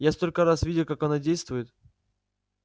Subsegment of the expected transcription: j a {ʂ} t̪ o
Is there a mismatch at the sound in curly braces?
yes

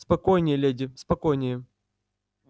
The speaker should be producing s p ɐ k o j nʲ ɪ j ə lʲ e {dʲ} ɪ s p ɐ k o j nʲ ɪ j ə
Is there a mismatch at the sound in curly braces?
no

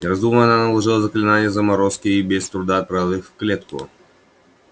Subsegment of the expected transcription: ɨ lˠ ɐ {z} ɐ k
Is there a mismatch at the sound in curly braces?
no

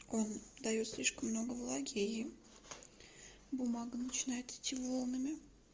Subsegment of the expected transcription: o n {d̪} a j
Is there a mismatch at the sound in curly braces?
no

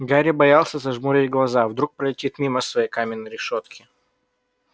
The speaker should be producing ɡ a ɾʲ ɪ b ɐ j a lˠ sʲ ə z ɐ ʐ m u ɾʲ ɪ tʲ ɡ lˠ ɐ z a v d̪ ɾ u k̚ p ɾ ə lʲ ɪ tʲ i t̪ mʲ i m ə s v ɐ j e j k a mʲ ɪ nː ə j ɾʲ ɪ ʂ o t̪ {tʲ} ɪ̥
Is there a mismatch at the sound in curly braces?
yes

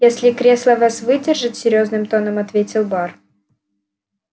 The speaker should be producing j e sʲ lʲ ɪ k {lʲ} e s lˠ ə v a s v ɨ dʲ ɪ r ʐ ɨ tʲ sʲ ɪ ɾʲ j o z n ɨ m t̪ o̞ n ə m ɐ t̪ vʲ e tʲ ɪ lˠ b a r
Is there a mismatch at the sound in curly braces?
yes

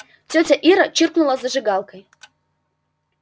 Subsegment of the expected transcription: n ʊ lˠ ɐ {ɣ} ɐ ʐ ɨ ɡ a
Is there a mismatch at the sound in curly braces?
yes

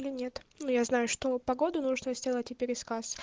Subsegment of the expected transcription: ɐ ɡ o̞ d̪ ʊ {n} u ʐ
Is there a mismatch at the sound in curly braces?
no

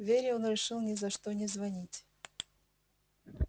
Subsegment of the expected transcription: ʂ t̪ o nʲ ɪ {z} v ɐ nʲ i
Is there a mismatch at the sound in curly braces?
no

